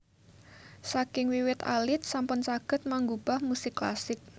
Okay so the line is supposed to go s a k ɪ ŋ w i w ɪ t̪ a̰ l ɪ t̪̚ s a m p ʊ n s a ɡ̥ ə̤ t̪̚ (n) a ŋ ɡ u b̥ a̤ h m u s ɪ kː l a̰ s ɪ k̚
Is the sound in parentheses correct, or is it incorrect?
incorrect